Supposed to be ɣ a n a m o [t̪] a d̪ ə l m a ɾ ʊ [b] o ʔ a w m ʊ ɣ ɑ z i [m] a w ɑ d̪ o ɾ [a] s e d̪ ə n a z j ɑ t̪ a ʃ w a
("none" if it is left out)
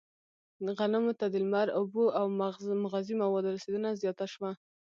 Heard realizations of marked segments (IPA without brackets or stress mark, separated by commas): t̪, b, m, a